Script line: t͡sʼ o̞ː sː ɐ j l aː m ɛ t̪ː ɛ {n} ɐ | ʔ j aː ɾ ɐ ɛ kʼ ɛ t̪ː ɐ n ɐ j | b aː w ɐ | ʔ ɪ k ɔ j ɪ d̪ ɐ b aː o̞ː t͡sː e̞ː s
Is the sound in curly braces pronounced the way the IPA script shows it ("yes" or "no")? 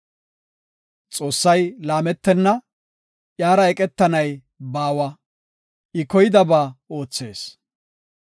no